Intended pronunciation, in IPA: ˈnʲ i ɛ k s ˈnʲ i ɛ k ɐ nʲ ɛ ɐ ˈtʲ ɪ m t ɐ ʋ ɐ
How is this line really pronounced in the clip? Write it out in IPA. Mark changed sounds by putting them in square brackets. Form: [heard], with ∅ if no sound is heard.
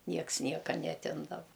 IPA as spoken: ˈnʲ i ɛ k s ˈnʲ i ɛ k ɐ nʲ ɛ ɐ ˈtʲ ɪ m [d] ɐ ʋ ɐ